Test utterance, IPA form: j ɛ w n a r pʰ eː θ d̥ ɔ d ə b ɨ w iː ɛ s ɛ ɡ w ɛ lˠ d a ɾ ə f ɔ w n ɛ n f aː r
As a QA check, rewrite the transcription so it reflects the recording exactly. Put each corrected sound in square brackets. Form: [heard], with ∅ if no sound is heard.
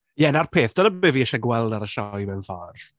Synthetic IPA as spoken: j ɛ [∅] n a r pʰ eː θ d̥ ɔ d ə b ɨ [v] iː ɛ [ʃ] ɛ ɡ w ɛ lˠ d a ɾ ə [ʃ] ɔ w [m] ɛ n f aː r